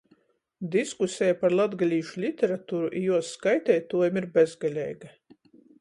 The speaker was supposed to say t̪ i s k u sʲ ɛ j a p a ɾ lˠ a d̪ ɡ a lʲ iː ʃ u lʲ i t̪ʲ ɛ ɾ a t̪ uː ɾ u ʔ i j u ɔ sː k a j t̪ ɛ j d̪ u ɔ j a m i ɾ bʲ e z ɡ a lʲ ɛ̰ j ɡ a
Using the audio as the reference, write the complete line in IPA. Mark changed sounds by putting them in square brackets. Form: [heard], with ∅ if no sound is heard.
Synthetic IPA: [d̪] i s k u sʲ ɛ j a p a ɾ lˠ a d̪ ɡ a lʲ iː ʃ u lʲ i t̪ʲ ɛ ɾ a t̪ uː ɾ u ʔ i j u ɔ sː k a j t̪ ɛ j [t̪] u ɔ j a m i ɾ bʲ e z ɡ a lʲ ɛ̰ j ɡ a